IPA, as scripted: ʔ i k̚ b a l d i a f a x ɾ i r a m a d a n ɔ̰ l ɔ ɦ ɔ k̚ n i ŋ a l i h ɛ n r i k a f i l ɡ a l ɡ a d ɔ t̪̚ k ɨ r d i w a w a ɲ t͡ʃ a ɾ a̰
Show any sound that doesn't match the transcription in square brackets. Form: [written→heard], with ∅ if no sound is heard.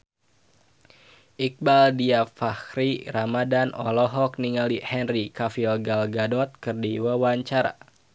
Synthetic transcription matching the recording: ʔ i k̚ b a l d i a f a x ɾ i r a m a d a n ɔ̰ l ɔ ɦ ɔ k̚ n i ŋ a l i h ɛ n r i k a f i l ɡ a l ɡ a d ɔ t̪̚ k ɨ r d i w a w a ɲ t͡ʃ a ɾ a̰